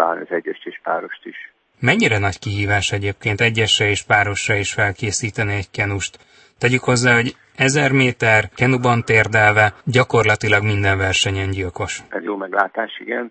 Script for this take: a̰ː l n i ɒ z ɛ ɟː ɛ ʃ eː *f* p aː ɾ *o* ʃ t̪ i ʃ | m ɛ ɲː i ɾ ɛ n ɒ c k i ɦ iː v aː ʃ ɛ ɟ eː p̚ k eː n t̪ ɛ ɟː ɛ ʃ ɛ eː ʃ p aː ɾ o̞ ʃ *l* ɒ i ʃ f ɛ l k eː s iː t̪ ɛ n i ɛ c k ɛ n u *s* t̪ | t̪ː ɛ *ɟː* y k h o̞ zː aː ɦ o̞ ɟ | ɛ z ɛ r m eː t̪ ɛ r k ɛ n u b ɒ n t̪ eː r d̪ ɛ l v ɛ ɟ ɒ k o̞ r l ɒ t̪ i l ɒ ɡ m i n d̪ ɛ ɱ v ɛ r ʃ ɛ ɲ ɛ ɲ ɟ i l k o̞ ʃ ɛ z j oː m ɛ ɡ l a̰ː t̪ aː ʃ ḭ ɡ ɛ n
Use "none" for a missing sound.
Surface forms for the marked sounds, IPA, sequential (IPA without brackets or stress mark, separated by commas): ʃ, o, r, ʃ, ɟ